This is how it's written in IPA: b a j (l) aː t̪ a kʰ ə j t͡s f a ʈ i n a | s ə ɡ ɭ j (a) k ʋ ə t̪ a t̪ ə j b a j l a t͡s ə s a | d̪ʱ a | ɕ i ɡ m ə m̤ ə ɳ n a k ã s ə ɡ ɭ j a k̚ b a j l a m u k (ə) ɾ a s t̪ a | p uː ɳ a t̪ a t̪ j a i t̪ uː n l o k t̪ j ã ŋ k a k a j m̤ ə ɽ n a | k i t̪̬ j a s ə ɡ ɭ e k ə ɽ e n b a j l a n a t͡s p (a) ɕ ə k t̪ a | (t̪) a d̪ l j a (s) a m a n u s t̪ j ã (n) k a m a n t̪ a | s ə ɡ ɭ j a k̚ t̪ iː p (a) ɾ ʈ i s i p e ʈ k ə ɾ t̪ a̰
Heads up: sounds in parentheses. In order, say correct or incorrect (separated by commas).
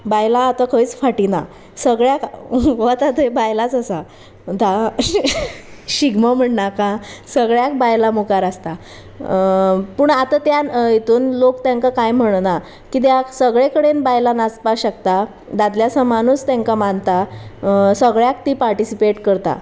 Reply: correct, correct, incorrect, correct, incorrect, correct, incorrect, correct